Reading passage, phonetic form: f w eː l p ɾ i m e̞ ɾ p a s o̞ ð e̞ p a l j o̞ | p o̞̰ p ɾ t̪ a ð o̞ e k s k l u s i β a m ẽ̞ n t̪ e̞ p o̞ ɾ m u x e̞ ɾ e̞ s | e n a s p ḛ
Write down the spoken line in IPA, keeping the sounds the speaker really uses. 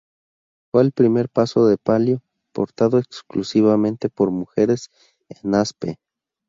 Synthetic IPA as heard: f w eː l p ɾ i m e̞ ɾ p a s o̞ ð e̞ p a l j o̞ | p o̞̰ ɾ t̪ a ð o̞ e k s k l u s i β a m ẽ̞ n t̪ e̞ p o̞ ɾ m u x e̞ ɾ e̞ s | e n a s p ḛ

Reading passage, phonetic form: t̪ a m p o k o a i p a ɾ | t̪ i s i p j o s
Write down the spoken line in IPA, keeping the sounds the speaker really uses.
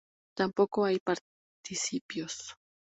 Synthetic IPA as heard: t̪ a m p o k o a j p a ɾ | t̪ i s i p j o s

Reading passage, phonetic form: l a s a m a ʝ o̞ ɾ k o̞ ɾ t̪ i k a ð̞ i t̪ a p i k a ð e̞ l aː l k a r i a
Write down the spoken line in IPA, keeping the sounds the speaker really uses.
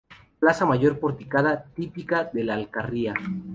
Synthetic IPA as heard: l a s a m a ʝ o̞ ɾ p o̞ ɾ t̪ i k a ð̞ a t̪ i p i k a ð e̞ l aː l k a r i a

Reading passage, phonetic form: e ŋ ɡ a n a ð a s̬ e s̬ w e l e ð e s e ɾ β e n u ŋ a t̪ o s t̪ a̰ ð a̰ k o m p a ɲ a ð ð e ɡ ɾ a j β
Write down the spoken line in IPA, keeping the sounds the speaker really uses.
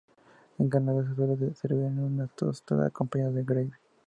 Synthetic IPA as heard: e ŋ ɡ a n a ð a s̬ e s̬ w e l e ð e s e ɾ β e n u n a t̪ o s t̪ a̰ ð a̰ k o m p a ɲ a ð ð e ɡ ɾ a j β

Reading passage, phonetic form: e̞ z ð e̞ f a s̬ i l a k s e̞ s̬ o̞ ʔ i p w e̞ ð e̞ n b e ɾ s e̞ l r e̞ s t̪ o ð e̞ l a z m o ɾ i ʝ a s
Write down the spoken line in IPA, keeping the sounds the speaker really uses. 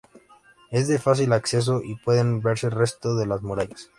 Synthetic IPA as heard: e̞ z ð e̞ f a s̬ i l a k s e̞ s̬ o̞ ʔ i p w e̞ ð e̞ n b e ɾ s e̞ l r e̞ s t̪ o ð e̞ l a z m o ɾ a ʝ a s

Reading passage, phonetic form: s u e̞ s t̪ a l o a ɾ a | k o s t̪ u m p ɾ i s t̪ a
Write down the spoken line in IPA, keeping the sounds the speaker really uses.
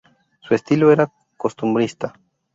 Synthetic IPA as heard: s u e̞ s t̪ i l o e ɾ a | k o s t̪ u m b ɾ i s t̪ a

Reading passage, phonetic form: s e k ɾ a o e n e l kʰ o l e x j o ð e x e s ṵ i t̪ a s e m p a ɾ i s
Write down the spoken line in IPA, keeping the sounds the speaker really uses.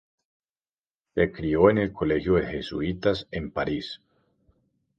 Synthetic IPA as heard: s e k ɾ i o e n e l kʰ o l e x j o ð e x e s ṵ i t̪ a s e m p a ɾ i s

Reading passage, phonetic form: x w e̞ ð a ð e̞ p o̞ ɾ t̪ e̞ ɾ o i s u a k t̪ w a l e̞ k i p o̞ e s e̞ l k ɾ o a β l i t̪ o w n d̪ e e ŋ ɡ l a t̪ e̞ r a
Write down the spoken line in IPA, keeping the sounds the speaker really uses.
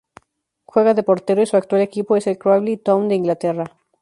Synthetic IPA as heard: x w e̞ ɣ a ð e̞ p o̞ ɾ t̪ e̞ ɾ o i s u a k t̪ w a l e̞ k i p o̞ e s e̞ l k ɾ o a β l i t̪ o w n d̪ e i ŋ ɡ l a t̪ e̞ r a

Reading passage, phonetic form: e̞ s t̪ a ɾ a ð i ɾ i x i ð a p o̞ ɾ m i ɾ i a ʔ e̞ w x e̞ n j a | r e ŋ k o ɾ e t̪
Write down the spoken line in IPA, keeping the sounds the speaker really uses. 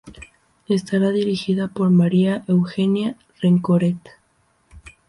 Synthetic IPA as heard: e̞ s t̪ a ɾ a ð i ɾ i x i ð a p o̞ ɾ m a ɾ i a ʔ e̞ w x e̞ n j a | r e ŋ k o ɾ e t̪

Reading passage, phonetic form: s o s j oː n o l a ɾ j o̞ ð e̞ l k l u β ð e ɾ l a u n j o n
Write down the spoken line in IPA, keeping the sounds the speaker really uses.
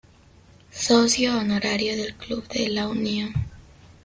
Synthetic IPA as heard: s o s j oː n o ɾ a ɾ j o̞ ð e̞ l k l u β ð e l a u n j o n

